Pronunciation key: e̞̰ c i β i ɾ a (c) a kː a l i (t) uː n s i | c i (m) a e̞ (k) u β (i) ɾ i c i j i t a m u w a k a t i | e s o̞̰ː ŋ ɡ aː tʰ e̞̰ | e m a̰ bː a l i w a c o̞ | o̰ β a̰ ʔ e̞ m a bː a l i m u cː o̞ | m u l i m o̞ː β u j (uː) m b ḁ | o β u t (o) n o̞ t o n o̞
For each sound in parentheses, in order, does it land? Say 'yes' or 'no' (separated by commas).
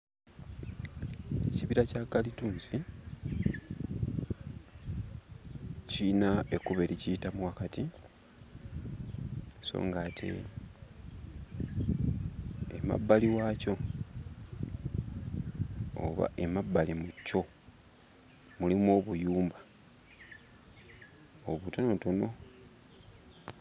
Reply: yes, yes, no, yes, no, yes, yes